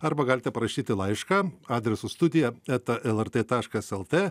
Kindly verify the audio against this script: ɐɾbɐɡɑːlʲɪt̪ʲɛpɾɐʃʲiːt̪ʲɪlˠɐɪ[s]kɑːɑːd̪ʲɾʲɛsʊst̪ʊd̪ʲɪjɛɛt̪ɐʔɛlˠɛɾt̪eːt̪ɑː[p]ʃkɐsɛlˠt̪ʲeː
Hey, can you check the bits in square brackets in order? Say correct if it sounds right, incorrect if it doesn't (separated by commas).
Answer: incorrect, incorrect